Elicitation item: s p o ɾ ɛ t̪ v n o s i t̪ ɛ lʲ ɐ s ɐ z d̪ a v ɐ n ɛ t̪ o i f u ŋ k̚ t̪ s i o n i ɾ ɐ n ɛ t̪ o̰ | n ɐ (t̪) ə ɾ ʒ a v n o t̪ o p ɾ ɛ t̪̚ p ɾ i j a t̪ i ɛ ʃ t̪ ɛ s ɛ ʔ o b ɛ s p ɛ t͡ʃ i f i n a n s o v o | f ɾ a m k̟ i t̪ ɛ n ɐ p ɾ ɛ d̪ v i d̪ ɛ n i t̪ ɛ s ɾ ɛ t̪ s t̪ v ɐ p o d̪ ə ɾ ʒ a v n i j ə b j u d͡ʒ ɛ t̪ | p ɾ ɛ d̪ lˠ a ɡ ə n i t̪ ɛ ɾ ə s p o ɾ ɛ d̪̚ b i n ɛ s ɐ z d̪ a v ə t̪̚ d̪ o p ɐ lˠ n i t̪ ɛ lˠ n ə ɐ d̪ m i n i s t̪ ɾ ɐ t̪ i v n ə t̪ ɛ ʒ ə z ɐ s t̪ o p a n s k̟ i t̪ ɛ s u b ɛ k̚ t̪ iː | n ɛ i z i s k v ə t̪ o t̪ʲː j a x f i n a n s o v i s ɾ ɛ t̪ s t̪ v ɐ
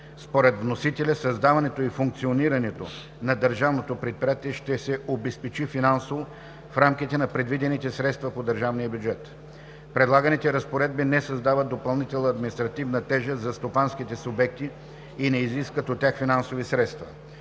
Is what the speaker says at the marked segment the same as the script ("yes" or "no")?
no